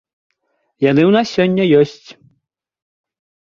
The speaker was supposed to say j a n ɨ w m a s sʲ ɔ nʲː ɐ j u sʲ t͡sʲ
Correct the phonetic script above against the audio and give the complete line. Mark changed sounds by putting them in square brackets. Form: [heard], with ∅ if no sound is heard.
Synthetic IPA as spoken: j a n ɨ w [n] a s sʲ ɔ nʲː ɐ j [ɔ] sʲ t͡sʲ